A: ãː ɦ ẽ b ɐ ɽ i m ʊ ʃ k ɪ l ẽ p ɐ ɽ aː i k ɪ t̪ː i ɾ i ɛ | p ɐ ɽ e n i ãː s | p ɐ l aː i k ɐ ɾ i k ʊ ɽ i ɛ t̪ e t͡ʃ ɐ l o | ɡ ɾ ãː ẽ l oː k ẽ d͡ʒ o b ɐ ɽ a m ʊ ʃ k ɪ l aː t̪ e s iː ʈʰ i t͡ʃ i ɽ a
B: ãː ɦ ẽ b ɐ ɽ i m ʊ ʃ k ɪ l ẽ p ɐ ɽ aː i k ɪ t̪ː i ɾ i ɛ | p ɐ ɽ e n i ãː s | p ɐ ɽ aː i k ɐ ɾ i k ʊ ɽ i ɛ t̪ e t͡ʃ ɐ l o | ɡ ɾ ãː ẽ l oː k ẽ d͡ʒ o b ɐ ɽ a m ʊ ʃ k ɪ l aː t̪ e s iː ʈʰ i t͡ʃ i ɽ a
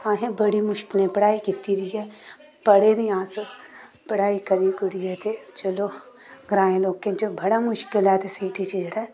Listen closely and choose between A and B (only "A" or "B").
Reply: B